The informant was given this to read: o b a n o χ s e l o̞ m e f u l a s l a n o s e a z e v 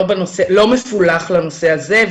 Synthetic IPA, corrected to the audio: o b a n o s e l o̞ m e f u l a χ l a n o s e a z e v